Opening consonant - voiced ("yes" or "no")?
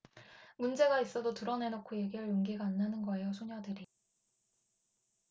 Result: yes